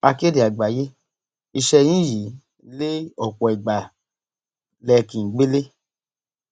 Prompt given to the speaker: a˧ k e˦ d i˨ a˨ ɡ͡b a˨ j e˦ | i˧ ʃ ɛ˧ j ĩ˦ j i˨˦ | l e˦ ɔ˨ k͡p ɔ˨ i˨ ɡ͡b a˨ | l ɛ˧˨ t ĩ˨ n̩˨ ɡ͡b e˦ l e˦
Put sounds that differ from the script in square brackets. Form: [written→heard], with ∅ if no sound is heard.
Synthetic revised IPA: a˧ k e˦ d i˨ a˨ ɡ͡b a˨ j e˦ | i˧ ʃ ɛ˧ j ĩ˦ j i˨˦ | l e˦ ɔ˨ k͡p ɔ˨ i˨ ɡ͡b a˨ | l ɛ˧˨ [t→k] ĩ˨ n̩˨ ɡ͡b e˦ l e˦